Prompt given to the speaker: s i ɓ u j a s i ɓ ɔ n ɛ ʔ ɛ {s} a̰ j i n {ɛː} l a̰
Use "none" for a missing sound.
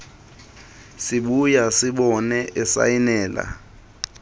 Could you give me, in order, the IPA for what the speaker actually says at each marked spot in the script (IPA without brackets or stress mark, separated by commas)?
s, ɛː